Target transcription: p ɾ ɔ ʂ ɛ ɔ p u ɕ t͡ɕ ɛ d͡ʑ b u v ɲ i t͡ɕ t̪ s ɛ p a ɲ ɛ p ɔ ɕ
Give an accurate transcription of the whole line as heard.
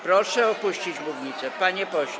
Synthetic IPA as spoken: p ɾ ɔ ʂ ɛ ɔ p u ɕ t͡ɕ i d͡ʑ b u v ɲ i t̪ s ɛ p a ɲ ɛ p ɔ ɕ